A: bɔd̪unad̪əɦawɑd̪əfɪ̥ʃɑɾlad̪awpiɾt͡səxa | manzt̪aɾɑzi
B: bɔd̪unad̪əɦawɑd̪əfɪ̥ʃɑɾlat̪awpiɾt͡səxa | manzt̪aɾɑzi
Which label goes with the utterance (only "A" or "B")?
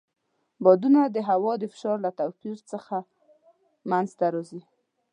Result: B